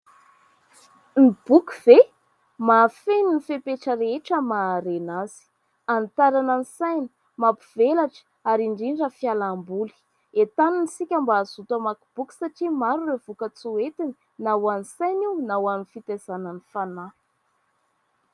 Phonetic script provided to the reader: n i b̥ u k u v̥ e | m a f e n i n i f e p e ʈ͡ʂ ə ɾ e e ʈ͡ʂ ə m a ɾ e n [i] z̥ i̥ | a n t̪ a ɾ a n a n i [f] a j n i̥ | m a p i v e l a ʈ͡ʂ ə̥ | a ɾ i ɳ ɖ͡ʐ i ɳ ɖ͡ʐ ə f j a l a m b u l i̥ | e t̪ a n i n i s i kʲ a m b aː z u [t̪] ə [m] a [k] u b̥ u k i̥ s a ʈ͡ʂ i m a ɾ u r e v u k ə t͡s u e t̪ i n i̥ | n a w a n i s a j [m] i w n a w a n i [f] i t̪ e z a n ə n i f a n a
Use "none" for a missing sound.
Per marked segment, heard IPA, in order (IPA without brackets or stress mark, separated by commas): a, s, t̪, m, k, n, f